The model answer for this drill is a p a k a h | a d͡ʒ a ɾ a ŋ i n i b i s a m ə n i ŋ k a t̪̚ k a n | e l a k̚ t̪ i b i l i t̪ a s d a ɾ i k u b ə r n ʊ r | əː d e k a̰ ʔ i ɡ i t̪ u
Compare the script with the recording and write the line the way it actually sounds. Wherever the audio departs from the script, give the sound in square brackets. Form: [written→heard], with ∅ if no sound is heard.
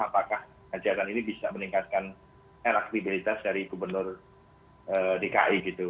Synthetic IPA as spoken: a p a k a h | a d͡ʒ a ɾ a [ŋ→n] i n i b i s a m ə n i ŋ k a t̪̚ k a n | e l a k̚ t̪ i b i l i t̪ a s d a ɾ i [k→ɡ] u b ə r n ʊ r | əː d e k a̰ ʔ i ɡ i t̪ u